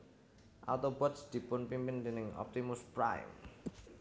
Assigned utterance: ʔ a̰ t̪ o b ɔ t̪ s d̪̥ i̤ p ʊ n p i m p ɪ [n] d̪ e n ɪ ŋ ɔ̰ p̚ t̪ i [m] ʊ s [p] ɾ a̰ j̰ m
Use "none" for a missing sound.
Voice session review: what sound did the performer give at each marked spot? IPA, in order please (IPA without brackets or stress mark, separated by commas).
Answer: n, m, p